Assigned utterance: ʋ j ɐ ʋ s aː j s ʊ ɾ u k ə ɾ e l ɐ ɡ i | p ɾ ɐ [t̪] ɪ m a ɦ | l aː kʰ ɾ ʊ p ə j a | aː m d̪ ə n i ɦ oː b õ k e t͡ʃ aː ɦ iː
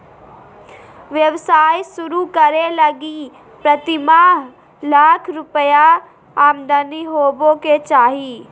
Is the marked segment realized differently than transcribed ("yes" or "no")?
no